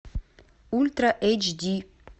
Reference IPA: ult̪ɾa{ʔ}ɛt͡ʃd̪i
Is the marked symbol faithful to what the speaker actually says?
yes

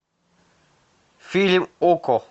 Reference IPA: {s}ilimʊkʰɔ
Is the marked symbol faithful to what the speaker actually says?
no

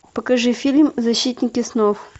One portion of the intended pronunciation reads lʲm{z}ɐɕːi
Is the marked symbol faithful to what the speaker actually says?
yes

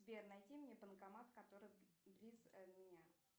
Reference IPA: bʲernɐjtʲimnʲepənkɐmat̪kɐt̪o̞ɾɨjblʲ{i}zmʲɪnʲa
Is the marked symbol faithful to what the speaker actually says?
yes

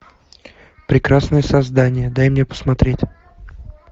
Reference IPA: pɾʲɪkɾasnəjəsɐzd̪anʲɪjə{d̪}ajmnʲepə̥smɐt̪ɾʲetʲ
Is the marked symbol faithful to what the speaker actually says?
yes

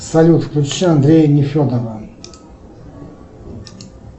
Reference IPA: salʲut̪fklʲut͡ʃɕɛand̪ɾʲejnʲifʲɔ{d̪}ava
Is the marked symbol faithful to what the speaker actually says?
yes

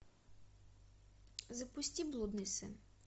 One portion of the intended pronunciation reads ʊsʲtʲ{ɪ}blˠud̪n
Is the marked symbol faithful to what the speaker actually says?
no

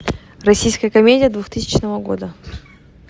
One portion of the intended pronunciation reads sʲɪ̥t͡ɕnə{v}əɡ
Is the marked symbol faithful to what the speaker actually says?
yes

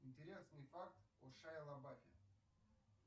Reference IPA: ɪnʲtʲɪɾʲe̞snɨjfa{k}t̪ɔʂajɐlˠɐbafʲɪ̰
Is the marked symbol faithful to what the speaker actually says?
yes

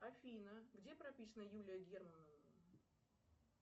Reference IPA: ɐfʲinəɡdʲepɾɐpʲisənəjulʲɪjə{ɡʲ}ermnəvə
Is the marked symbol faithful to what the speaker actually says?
yes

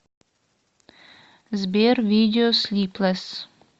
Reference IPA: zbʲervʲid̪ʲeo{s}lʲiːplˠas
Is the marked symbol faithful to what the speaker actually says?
yes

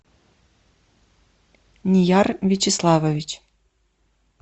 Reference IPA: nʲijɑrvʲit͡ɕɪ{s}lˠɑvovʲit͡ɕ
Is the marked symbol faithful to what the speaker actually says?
yes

